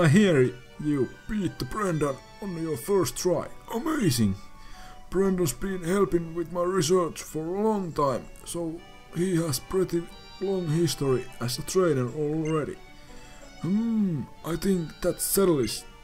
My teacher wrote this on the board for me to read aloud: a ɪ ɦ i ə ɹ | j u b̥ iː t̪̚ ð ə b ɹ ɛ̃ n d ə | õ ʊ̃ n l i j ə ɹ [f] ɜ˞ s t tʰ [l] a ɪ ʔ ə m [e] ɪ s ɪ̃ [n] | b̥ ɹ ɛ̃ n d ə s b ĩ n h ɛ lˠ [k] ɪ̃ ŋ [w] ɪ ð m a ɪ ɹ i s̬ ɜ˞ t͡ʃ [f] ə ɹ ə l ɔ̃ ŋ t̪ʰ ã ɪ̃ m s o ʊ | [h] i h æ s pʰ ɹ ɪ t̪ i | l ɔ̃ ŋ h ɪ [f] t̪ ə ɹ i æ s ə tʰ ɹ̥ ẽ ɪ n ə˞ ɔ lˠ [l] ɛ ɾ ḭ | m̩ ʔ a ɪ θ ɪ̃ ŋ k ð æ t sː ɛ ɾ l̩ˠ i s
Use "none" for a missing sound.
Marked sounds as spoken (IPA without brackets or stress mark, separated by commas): f, ɹ, e, ŋ, p, w, f, h, s, ɹ